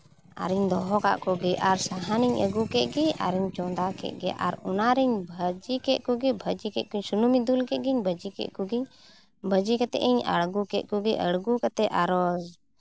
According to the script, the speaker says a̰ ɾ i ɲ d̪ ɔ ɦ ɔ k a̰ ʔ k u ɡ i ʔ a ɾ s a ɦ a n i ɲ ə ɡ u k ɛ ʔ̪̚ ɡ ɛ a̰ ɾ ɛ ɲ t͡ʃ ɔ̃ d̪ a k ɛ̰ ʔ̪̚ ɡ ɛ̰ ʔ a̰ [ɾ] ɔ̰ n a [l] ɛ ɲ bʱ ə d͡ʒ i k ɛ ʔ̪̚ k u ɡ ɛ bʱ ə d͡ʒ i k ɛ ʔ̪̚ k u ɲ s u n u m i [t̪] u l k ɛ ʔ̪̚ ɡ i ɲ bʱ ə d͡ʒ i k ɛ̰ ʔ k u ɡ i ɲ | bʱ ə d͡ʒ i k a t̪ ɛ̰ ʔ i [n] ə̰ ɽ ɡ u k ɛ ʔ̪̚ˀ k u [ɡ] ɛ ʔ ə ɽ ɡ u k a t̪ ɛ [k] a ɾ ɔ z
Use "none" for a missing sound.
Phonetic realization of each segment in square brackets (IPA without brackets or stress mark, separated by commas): ɾ, ɾ, d̪, ɲ, ɡ, ʔ